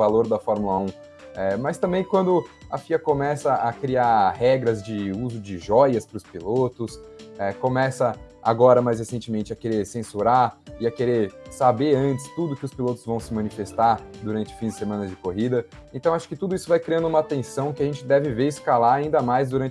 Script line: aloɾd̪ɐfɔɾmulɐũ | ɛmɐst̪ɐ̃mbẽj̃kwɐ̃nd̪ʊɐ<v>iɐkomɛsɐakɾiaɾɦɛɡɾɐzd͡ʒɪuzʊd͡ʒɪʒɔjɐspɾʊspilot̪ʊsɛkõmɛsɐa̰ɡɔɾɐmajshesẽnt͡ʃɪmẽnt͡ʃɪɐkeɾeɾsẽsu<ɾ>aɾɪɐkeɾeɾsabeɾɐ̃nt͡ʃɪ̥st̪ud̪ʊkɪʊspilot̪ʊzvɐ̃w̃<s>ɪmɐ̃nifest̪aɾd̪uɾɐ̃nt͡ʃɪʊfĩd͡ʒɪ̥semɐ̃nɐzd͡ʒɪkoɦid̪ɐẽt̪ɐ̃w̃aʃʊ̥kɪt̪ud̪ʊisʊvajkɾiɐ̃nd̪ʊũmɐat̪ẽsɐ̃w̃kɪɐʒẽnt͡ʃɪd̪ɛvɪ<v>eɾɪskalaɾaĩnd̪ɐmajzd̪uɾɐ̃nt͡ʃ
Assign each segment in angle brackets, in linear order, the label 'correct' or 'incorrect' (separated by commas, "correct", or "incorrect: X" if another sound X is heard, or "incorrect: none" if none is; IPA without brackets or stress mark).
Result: incorrect: f, correct, correct, correct